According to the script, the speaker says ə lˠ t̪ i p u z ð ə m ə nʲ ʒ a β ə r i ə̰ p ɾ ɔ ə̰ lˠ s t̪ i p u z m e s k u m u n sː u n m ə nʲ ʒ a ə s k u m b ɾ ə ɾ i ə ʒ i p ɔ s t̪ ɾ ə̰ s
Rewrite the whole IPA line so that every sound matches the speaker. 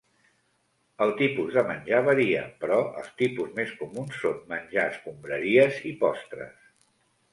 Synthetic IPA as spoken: ə lˠ t̪ i p u z ð ə m ə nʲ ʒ a β ə ɾ i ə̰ p ɾ ɔ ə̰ lˠ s t̪ i p u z m e s k u m u n sː o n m ə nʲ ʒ a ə s k u m b ɾ ə ɾ i ə z i p ɔ s t̪ ɾ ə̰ s